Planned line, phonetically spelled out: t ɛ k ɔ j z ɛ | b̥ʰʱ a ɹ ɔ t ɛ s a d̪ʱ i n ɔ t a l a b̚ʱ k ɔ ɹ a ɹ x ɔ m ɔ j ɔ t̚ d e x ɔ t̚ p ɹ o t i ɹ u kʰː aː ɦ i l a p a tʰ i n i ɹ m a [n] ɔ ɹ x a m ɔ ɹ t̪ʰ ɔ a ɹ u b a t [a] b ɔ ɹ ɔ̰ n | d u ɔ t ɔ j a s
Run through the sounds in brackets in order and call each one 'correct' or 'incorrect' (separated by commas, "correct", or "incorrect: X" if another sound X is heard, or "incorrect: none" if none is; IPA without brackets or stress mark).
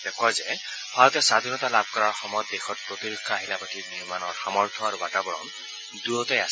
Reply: correct, correct